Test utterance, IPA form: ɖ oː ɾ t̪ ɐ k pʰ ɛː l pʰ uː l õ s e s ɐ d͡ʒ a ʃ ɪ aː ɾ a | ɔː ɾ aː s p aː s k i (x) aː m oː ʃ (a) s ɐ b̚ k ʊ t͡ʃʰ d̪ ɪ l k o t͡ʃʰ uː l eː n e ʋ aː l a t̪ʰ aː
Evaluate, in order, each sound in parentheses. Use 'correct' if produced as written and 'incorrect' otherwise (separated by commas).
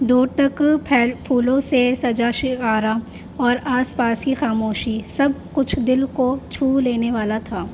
correct, incorrect